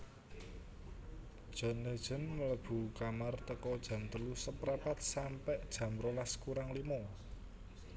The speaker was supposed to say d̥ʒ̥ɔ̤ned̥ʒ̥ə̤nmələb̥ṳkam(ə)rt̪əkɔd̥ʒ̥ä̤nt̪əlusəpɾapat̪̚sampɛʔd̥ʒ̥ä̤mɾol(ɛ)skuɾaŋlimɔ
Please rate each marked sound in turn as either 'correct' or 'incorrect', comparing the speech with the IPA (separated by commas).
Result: incorrect, incorrect